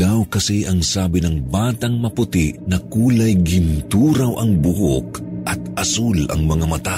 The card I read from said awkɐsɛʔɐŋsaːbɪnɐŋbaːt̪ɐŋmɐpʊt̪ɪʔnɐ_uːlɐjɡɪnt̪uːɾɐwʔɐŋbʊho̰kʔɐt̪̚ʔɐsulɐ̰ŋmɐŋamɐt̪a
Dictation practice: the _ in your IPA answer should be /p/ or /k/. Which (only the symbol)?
k